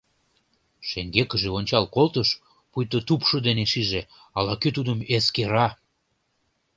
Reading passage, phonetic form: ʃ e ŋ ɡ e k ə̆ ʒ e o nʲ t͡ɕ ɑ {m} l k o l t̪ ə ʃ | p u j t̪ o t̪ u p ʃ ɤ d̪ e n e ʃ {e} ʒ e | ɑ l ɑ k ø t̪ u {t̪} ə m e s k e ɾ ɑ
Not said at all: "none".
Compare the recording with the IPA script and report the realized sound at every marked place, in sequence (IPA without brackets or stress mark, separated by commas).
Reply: none, i, d̪